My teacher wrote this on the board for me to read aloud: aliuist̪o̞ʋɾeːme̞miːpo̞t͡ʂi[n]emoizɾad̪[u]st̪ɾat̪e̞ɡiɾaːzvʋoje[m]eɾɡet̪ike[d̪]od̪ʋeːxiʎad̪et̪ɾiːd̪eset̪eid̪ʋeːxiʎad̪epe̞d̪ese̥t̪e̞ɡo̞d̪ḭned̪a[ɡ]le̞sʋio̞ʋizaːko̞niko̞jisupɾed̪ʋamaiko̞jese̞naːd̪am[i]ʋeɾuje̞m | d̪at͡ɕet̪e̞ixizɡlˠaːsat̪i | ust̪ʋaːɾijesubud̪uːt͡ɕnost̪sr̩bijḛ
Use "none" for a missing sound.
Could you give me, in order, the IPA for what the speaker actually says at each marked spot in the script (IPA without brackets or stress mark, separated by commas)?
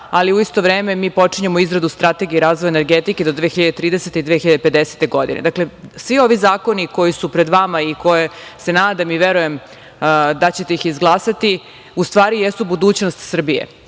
ɲ, u, n, d̪, k, i